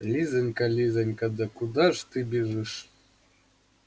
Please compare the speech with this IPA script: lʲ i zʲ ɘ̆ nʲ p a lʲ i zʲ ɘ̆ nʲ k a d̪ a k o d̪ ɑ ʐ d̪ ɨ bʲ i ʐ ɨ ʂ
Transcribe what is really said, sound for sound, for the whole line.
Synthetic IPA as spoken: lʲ i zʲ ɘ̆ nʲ k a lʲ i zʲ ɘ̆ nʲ k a d̪ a k u d̪ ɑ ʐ t̪ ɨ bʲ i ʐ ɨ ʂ